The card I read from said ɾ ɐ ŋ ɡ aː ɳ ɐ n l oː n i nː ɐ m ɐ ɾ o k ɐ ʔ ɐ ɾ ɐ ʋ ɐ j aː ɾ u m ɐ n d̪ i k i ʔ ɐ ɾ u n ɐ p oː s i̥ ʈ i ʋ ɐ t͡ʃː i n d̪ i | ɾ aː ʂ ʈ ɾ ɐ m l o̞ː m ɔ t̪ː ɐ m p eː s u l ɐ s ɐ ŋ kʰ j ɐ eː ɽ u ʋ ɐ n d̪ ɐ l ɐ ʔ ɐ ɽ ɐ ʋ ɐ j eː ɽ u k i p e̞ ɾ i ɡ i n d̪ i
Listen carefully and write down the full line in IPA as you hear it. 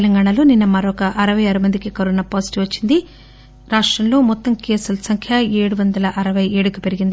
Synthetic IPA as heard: l ɐ ŋ ɡ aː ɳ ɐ l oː n i nː ɐ m ɐ ɾ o k ɐ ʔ ɐ ɾ ɐ ʋ ɐ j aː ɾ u m ɐ n d̪ i k i k ɐ ɾ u n ɐ p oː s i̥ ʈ i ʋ ɐ t͡ʃː i n d̪ i | ɾ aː ʂ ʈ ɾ ɐ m l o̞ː m ɔ t̪ː ɐ m k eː s u l ɐ s ɐ ŋ kʰ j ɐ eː ɽ u ʋ ɐ n d̪ ɐ l ɐ ʔ ɐ ɾ ɐ ʋ ɐ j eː ɽ u k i p e̞ ɾ i ɡ i n d̪ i